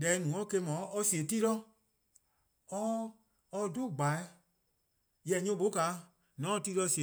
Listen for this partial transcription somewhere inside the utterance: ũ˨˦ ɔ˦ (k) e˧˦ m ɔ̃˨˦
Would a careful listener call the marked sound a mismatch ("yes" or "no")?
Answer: no